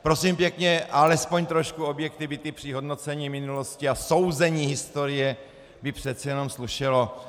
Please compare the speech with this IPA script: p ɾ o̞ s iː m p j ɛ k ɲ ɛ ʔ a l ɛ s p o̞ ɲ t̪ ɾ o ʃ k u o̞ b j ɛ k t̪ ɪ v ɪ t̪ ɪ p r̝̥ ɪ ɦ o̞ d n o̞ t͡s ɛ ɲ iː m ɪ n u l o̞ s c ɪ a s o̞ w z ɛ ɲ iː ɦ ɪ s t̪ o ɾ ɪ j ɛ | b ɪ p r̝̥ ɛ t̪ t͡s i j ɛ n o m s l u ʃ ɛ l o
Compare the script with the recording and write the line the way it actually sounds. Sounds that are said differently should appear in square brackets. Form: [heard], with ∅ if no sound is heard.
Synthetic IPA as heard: p ɾ o̞ s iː m p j ɛ k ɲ ɛ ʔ a l ɛ s p o̞ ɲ t̪ ɾ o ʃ k u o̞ b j ɛ k t̪ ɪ v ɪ t̪ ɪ p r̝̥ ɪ ɦ o̞ d n o̞ t͡s ɛ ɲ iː m ɪ n u l o̞ s c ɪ a s o̞ w z ɛ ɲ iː ɦ ɪ s t̪ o ɾ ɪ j ɛ | b ɪ p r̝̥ ɛ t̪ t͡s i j ɛ n o m s l u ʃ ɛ l o